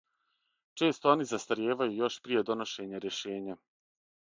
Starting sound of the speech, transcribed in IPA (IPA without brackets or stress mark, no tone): t͡ʃ